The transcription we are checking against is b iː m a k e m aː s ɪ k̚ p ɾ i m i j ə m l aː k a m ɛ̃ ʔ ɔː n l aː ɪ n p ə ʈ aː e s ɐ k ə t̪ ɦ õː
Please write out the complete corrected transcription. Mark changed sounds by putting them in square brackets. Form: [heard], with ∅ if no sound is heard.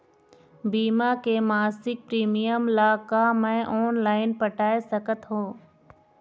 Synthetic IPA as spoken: b iː m a k e m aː s ɪ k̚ p ɾ [iː] m i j ə m l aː k a m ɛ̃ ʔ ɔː n l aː ɪ n p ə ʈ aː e s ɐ k ə t̪ ɦ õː